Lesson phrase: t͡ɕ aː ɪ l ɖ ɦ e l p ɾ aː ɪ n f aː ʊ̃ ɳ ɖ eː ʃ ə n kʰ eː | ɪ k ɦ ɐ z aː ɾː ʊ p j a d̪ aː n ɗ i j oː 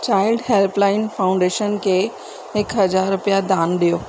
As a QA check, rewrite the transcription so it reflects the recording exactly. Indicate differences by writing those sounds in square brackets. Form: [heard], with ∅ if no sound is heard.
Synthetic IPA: t͡ɕ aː ɪ l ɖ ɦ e l p [l] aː ɪ n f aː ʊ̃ ɳ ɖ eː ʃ ə n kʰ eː | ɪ k ɦ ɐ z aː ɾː ʊ p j a d̪ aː n ɗ i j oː